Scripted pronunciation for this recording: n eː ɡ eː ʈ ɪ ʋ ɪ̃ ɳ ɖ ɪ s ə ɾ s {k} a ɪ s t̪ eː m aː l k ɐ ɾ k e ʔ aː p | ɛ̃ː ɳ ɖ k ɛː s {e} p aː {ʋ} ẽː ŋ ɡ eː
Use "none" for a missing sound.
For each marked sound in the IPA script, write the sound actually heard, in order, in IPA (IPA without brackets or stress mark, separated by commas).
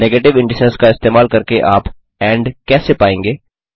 k, e, none